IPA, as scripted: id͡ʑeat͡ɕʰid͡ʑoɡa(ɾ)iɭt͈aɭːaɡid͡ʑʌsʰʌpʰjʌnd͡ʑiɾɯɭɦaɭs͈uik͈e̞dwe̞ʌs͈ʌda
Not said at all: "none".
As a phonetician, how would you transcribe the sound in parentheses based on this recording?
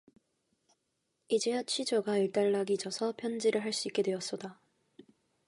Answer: none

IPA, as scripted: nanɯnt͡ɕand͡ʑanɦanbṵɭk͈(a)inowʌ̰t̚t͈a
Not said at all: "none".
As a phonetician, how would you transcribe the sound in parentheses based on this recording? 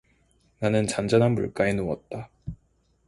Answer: a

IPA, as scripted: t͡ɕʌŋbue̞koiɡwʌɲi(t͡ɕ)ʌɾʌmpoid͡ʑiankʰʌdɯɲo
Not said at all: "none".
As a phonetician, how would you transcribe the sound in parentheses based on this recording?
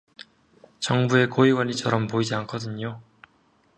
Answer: t͡ɕʰ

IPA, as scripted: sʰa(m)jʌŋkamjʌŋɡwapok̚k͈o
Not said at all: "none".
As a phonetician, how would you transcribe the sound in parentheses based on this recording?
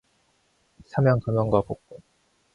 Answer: m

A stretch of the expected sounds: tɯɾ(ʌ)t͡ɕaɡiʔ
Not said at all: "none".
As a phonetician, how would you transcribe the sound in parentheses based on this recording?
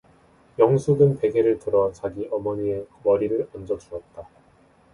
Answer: ʌ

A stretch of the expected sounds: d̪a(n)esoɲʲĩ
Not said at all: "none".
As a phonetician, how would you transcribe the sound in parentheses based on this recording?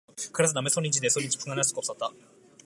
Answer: m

